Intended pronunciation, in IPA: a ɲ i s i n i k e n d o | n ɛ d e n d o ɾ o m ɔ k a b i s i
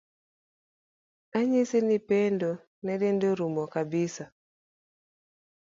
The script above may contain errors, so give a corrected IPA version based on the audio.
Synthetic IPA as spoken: a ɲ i s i n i p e n d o | n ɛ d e n d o ɾ u m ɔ k a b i s a